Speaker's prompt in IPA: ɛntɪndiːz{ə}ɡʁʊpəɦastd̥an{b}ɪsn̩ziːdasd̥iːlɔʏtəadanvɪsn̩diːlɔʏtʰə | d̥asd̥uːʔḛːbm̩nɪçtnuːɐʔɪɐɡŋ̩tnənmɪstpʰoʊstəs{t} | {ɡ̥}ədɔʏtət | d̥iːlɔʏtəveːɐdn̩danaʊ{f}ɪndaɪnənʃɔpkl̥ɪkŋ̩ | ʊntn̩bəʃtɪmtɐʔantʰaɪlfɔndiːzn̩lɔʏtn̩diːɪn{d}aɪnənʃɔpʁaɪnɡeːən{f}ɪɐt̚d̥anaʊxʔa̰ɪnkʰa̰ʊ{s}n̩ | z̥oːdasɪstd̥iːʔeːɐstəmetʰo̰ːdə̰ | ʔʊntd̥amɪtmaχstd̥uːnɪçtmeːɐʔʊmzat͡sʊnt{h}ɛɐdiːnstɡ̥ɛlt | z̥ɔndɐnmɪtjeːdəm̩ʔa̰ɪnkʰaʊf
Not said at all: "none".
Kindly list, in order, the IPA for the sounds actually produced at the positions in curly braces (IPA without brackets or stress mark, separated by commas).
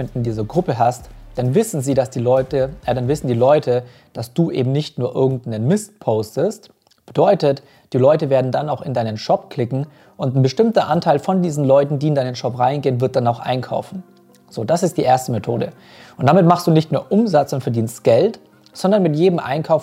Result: ɐ, v, t, b̥, x, d, v, f, f